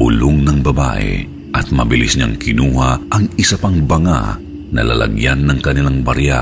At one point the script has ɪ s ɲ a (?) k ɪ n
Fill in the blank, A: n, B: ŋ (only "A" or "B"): B